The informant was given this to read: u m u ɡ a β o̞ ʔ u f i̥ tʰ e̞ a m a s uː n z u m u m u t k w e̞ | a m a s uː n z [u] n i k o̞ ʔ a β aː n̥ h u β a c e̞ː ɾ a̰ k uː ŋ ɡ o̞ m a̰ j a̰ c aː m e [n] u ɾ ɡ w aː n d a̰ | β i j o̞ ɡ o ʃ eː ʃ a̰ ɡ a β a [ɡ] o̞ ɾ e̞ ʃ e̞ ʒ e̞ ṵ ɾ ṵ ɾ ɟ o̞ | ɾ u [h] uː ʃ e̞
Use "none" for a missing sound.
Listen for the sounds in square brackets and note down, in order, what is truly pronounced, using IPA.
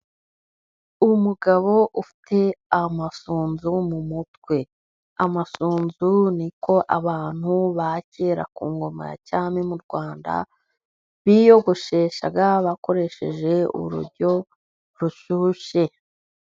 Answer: u, m, k, ʃ

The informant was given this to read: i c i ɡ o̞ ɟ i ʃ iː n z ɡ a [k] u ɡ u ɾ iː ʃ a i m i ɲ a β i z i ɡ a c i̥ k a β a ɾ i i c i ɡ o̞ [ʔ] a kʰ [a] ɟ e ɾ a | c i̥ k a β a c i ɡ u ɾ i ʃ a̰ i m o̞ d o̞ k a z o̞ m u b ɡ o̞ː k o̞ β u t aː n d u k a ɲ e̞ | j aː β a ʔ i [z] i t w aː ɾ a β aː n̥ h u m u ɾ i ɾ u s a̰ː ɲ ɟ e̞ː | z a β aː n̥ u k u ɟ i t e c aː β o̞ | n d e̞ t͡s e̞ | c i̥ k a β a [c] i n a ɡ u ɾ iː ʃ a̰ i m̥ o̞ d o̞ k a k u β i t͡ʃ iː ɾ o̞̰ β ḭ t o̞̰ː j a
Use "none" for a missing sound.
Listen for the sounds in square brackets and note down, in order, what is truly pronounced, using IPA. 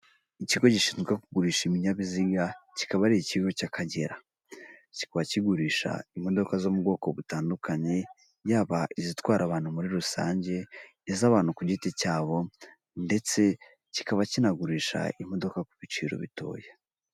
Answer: k, c, a, z, c

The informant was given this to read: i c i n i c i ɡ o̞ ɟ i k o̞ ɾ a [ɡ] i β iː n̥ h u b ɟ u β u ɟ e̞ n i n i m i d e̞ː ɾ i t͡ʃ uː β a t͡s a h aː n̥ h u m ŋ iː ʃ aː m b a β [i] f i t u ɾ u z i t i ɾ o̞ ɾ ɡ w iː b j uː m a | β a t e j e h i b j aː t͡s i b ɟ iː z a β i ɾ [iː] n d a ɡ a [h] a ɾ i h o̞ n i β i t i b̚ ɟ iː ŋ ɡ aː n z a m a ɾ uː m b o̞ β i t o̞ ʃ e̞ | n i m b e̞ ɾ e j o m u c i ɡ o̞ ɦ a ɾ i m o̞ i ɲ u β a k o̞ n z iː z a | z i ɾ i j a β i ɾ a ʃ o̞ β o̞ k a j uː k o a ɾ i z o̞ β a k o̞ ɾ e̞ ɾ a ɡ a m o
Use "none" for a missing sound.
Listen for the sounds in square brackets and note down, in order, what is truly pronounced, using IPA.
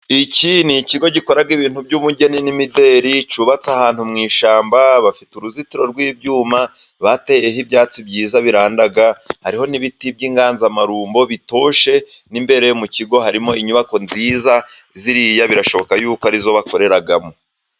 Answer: ɡ, a, aː, h

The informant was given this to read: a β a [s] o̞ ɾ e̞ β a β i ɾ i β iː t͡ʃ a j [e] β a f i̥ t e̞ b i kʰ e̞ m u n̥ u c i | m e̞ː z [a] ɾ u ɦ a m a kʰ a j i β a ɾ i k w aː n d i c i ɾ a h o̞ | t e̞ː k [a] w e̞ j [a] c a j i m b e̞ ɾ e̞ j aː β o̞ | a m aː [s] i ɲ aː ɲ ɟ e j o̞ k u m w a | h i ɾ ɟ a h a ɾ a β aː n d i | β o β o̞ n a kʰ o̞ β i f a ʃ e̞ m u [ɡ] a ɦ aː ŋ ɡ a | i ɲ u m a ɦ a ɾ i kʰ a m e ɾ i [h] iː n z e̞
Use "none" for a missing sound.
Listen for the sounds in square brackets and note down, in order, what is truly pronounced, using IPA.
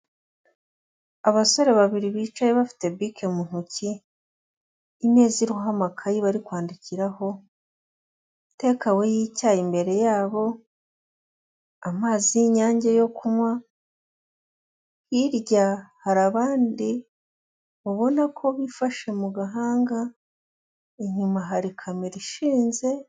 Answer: s, e, i, a, i, z, ɡ, ʃ

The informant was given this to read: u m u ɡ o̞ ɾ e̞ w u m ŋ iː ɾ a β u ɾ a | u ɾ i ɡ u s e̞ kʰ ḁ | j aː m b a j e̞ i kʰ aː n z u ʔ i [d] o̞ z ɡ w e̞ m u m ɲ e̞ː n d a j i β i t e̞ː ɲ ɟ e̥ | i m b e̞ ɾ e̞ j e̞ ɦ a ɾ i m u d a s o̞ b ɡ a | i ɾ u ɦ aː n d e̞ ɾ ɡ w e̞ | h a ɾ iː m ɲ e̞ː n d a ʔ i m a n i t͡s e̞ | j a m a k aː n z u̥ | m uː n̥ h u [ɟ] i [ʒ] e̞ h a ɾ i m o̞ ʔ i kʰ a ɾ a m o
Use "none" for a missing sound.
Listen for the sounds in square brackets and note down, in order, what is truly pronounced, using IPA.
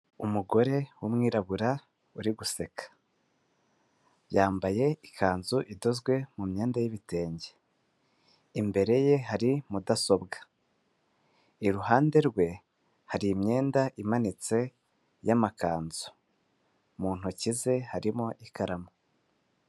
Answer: d, c, z

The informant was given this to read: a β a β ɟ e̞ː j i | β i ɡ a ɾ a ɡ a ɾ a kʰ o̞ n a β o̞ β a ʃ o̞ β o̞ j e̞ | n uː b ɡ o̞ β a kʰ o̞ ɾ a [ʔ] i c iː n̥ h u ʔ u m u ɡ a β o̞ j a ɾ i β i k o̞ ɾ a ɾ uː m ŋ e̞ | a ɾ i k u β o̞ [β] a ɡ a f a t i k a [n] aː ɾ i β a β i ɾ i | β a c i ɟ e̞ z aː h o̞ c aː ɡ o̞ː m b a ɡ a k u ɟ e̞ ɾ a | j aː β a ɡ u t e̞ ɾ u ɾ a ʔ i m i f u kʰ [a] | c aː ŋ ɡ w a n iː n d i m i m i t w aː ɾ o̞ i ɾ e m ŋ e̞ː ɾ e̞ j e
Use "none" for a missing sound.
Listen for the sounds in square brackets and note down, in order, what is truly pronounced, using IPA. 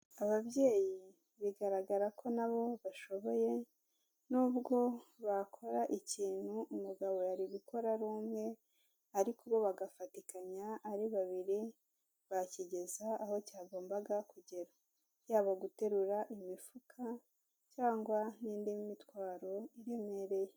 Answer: ʔ, β, ɲ, a

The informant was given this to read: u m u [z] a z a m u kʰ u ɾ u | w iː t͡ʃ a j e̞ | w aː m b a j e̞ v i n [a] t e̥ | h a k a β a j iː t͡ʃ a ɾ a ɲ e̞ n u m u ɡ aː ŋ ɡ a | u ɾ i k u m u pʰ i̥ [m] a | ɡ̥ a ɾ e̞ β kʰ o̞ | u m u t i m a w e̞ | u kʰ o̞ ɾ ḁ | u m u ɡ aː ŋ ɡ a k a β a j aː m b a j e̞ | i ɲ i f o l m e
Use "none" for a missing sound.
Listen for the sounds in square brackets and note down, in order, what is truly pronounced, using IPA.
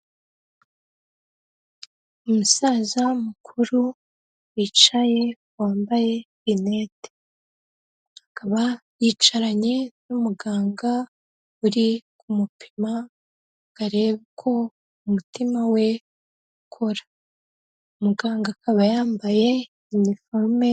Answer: s, e, m

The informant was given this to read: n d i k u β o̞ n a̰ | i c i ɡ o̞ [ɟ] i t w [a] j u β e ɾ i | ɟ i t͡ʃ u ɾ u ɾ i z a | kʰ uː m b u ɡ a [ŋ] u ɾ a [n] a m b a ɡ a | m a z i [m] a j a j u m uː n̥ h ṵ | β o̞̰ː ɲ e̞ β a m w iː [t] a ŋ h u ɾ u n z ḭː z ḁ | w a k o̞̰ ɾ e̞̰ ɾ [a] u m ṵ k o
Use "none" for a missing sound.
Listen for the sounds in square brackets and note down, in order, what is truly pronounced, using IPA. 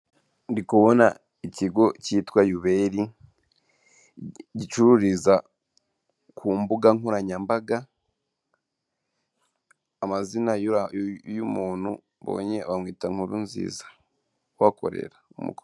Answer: c, a, ŋ, ɲ, n, t, a

